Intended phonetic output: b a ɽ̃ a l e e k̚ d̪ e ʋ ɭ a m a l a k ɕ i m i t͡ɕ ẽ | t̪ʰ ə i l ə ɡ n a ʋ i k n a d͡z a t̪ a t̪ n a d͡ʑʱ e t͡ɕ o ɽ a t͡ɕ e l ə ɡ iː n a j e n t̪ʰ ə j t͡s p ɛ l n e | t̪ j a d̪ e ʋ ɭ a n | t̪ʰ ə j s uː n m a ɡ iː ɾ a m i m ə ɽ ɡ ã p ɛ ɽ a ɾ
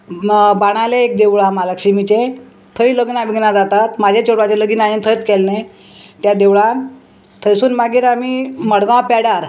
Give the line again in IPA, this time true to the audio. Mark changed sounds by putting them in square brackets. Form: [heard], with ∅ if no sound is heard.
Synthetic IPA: b a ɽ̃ a l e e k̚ d̪ e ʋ ɭ a m a l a k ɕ i m i t͡ɕ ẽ | t̪ʰ ə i l ə ɡ n a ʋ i [ɡ] n a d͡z a t̪ a t̪ [m] a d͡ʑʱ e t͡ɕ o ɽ a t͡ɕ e l ə ɡ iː n a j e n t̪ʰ ə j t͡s [k] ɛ l n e | t̪ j a d̪ e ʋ ɭ a n | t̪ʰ ə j s uː n m a ɡ iː ɾ a m i m ə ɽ ɡ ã p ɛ ɽ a ɾ